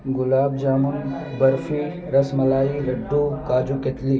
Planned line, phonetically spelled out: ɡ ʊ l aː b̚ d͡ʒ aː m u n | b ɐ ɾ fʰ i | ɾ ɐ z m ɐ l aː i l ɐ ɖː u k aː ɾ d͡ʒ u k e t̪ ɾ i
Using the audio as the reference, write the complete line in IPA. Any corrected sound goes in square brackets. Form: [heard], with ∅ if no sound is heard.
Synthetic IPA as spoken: ɡ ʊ l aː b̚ d͡ʒ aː m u n | b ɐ ɾ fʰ i | ɾ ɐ [s] m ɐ l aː i [ɾ] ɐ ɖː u k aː [∅] d͡ʒ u k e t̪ [l] i